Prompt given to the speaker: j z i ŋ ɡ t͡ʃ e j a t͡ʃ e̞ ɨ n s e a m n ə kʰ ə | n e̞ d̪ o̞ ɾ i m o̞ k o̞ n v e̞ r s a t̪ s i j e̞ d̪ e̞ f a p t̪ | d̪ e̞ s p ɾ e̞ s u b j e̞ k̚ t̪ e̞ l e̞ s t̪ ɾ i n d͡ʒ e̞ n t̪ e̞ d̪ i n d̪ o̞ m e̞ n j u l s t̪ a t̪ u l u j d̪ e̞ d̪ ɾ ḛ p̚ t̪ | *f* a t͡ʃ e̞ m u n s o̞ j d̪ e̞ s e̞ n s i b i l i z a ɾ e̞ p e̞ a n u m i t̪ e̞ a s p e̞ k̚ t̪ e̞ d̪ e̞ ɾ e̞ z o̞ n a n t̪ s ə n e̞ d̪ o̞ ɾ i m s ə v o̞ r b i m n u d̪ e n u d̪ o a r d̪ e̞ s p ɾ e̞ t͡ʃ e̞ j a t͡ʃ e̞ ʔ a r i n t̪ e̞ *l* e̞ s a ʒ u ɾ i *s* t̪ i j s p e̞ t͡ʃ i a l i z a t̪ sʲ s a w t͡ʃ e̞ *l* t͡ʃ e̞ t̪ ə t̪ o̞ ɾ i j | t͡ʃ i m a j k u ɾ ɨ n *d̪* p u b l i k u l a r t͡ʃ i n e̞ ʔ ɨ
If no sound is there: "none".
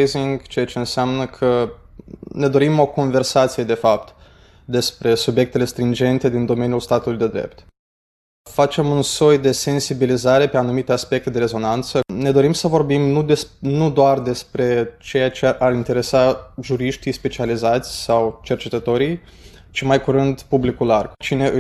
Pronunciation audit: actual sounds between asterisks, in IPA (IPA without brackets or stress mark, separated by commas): f, ɾ, ʃ, r, d̪